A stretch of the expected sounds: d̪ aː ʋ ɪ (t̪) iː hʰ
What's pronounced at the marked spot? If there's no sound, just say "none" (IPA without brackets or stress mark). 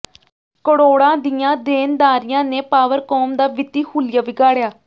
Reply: t̪